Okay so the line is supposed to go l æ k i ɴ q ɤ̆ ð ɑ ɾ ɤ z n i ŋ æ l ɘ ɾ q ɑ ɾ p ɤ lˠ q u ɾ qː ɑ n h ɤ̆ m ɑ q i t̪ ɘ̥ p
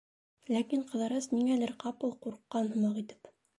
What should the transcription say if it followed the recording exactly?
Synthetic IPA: l æ k i ɴ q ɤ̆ ð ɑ ɾ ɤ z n i ŋ æ l ɘ ɾ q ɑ p ɤ lˠ q u ɾ qː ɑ n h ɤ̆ m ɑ q i t̪ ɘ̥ p